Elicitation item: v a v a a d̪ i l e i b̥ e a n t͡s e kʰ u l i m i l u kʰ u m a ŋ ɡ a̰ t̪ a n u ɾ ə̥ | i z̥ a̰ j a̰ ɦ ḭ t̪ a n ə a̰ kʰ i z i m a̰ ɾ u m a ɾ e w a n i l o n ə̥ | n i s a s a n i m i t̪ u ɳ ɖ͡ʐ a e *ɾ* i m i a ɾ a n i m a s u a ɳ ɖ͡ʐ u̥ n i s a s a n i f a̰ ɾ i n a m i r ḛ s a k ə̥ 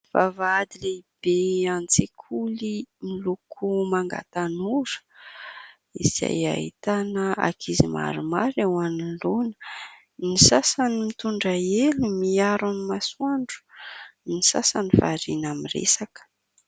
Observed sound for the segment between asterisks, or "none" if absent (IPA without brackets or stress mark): l